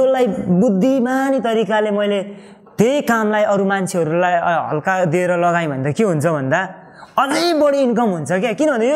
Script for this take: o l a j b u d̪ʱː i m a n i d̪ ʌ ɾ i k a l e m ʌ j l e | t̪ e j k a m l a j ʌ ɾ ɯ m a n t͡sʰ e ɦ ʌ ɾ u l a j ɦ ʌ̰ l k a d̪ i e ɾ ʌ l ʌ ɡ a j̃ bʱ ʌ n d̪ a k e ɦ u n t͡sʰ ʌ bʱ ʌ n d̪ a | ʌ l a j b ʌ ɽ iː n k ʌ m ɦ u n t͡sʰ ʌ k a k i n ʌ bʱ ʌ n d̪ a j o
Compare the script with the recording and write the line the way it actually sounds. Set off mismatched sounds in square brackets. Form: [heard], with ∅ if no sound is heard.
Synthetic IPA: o l a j b u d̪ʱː i m a n i [t̪] ʌ ɾ i k a l e m ʌ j l e | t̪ e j k a m l a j ʌ ɾ [u] m a n t͡sʰ e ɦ ʌ ɾ u l a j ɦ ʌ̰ l k a d̪ i e ɾ ʌ l ʌ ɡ a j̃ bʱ ʌ n d̪ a k e ɦ u n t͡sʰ ʌ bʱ ʌ n d̪ a | ʌ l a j b ʌ ɽ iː n k ʌ m ɦ u n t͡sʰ ʌ k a k i n ʌ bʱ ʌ n d̪ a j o